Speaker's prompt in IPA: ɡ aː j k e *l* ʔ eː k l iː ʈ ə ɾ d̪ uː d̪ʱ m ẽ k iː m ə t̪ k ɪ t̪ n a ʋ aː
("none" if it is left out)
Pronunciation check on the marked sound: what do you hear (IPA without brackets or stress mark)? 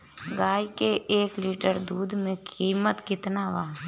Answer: none